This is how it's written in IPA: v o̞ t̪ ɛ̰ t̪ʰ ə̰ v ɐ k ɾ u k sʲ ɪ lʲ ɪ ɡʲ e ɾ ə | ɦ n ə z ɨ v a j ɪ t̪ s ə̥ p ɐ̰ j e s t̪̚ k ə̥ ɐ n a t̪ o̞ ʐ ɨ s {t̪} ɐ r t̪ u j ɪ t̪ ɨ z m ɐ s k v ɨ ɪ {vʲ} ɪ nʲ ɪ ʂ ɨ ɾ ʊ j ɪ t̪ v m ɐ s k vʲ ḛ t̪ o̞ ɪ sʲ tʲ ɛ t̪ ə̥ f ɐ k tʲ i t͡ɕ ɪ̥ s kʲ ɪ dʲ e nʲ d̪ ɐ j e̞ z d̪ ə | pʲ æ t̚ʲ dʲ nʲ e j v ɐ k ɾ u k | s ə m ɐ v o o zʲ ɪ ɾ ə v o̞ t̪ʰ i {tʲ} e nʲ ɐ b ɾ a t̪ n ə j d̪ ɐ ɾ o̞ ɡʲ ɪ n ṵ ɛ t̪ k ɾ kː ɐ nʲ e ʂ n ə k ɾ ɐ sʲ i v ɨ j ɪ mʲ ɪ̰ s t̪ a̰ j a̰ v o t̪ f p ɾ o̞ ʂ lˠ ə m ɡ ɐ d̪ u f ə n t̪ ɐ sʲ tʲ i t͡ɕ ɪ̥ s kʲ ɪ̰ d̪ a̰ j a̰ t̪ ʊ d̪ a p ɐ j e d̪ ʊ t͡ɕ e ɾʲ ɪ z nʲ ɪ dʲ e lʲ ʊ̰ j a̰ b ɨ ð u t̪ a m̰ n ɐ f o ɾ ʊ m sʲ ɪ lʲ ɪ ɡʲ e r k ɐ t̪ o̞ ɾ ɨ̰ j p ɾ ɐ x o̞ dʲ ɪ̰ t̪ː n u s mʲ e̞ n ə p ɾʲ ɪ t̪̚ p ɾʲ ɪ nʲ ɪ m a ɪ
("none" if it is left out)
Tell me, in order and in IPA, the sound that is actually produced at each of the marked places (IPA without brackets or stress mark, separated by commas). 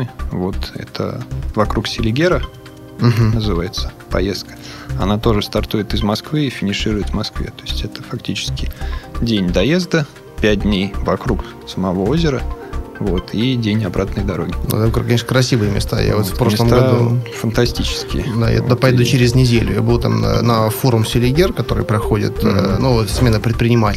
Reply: t̪, fʲ, dʲ